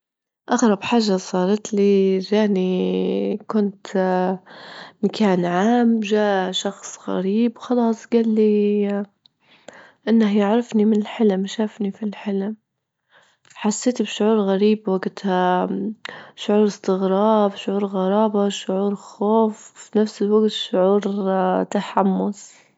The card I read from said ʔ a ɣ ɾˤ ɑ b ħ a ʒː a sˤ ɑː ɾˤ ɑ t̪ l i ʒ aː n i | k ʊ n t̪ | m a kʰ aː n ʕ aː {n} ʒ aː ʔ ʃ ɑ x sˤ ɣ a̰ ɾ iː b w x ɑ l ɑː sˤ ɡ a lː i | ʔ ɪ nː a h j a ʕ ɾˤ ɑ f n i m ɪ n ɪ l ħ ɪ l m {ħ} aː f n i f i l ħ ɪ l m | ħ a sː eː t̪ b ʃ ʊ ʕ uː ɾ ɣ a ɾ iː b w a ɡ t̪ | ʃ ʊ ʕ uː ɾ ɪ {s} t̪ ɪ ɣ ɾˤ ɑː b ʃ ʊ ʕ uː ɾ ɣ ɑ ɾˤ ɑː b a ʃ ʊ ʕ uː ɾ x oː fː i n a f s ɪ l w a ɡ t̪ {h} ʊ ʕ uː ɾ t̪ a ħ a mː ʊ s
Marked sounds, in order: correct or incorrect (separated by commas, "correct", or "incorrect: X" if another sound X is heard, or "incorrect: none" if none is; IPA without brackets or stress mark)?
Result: incorrect: m, incorrect: ʃ, correct, incorrect: ʃ